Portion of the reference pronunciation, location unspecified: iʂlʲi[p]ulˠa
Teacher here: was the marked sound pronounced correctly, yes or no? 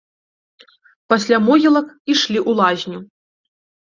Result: no